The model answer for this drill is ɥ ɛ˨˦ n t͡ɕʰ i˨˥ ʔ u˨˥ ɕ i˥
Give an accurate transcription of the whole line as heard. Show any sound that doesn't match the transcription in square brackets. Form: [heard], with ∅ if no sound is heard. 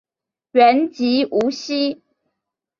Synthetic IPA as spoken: ɥ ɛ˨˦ n [t͡ɕ] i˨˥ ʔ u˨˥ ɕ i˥